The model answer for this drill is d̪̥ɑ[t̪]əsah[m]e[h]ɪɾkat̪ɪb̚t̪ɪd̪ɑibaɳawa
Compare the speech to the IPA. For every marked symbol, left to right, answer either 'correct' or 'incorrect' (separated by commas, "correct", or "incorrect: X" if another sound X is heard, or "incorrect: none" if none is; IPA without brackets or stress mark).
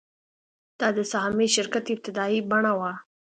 incorrect: d̪, correct, incorrect: ʃ